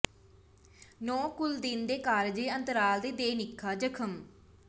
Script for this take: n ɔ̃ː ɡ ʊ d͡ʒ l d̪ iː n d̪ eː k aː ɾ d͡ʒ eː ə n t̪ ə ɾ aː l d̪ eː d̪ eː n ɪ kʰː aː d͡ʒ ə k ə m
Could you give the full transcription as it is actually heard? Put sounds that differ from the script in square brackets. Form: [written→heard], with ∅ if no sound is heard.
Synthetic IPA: n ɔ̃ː [ɡ→k] ʊ [d͡ʒ→∅] l d̪ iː n d̪ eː k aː ɾ d͡ʒ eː ə n t̪ ə ɾ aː l d̪ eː d̪ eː n ɪ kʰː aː d͡ʒ ə [k→kʰ] ə m